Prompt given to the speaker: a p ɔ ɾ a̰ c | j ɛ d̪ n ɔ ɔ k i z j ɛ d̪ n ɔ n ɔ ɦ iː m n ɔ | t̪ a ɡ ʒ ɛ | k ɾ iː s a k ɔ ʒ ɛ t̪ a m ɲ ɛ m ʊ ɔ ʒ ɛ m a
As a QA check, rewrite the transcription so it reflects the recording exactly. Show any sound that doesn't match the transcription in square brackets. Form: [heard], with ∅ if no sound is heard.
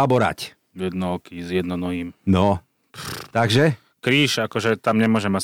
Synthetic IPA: a [b] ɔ ɾ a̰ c | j ɛ d̪ n ɔ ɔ k i z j ɛ d̪ n ɔ n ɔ ɦ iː m n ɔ | t̪ a ɡ ʒ ɛ | k ɾ iː [ʃ] a k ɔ ʒ ɛ t̪ a m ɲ ɛ m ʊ ɔ ʒ ɛ m a